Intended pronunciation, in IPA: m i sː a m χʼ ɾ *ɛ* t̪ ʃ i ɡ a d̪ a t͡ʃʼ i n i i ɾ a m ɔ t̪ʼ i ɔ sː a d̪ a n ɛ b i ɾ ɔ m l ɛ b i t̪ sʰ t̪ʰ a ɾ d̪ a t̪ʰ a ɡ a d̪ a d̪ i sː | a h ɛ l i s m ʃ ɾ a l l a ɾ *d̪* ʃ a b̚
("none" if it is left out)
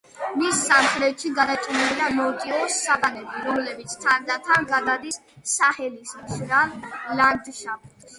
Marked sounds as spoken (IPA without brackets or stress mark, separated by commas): ɛ, d̪